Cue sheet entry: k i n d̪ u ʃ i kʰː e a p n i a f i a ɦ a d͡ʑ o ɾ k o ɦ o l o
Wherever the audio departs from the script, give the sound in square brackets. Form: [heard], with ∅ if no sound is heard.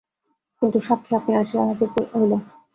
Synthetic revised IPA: k i n [t̪] u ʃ [a] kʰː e a p n i a [ʃ] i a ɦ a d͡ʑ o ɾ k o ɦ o l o